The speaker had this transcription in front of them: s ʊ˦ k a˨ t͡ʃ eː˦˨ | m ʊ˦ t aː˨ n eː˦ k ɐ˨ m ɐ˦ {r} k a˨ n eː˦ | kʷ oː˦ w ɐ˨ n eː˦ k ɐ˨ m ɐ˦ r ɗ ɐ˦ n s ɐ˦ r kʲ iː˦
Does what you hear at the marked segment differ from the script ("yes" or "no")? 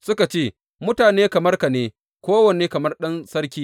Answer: no